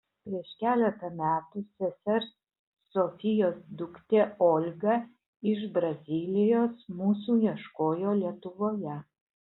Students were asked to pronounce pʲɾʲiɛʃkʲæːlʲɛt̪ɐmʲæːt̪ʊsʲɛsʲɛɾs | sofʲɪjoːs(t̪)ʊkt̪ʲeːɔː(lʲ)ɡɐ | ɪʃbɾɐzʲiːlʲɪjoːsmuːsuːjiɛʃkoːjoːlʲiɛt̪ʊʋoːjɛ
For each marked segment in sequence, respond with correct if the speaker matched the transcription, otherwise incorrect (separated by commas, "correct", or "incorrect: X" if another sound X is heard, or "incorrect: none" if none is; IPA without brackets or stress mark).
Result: incorrect: d̪, correct